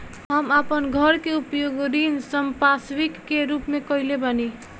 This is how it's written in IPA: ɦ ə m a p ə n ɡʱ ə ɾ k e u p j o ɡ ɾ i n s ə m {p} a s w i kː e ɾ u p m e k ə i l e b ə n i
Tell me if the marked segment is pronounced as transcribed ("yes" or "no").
yes